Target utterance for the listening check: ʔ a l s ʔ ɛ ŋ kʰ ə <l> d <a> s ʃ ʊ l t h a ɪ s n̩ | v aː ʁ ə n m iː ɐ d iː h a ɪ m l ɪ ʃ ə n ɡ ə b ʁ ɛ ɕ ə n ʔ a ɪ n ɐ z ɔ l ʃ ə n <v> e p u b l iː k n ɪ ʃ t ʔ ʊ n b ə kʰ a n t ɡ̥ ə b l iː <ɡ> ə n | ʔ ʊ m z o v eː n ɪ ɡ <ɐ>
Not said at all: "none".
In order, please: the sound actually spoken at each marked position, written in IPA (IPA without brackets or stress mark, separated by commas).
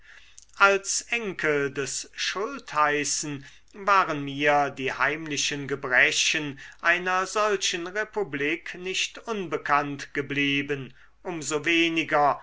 l, ɛ, ʁ, b, ɐ